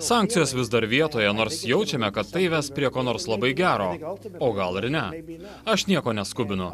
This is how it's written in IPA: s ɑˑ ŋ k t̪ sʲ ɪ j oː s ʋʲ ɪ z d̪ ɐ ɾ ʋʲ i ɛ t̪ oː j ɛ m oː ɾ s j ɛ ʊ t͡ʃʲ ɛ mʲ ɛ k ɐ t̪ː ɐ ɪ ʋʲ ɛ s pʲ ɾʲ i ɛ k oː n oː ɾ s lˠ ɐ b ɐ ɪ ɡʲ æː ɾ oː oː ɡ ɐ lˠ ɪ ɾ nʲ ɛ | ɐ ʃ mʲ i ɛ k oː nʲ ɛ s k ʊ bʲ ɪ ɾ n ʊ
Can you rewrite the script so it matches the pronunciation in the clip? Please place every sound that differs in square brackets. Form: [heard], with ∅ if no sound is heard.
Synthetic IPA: s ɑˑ ŋ k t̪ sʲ ɪ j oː s ʋʲ ɪ z d̪ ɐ ɾ ʋʲ i ɛ t̪ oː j ɛ [n] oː ɾ s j ɛ ʊ t͡ʃʲ ɛ mʲ ɛ k ɐ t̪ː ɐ ɪ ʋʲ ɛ s pʲ ɾʲ i ɛ k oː n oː ɾ s lˠ ɐ b ɐ ɪ ɡʲ æː ɾ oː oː ɡ ɐ lˠ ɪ ɾ nʲ ɛ | ɐ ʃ [nʲ] i ɛ k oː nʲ ɛ s k ʊ bʲ ɪ [∅] n ʊ